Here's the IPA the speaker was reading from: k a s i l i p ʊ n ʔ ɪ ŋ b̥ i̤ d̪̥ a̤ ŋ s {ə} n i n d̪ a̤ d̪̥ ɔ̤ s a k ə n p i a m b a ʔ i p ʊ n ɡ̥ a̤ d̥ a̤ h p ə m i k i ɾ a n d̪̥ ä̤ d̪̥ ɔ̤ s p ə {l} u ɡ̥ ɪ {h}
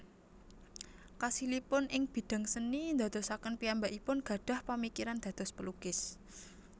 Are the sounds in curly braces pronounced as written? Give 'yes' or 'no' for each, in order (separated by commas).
yes, yes, no